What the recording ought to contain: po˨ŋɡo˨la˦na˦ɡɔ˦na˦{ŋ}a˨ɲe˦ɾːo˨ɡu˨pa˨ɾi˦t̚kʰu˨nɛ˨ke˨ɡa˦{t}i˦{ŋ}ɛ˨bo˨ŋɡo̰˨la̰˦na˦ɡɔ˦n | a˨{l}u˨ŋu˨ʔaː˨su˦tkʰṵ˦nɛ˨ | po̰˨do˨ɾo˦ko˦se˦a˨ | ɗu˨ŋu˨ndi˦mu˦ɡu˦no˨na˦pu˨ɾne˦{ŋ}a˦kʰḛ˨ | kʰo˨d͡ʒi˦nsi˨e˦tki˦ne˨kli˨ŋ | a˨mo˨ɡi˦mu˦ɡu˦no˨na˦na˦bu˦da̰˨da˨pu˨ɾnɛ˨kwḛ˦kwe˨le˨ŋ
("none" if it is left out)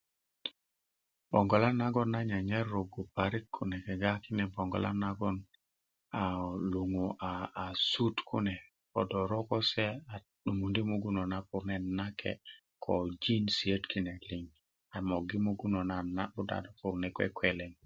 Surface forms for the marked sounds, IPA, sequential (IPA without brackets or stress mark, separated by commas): ɲ, k, n, l, n